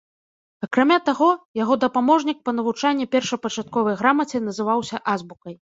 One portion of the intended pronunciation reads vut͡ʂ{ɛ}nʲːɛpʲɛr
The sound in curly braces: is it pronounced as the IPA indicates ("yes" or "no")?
no